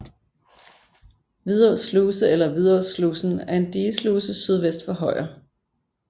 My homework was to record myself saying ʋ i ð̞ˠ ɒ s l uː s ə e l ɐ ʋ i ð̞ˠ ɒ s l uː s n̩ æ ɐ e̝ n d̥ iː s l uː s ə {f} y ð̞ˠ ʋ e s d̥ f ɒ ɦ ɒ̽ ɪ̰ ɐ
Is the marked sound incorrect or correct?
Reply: incorrect